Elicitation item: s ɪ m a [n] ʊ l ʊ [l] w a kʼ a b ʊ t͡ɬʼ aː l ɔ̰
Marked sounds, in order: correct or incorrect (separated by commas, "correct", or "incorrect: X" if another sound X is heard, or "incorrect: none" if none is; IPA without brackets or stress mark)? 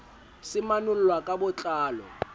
correct, correct